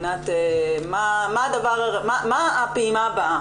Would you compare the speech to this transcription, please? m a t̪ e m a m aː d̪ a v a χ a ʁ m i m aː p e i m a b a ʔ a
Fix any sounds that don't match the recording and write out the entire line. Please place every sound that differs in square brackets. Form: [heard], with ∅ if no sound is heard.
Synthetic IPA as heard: [n] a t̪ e m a m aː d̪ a v a [ʁ] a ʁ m [a] m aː p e i m a b a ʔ a